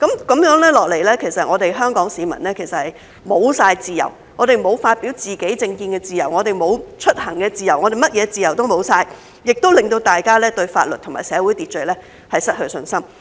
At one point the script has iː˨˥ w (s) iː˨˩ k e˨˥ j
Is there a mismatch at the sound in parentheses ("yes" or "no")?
yes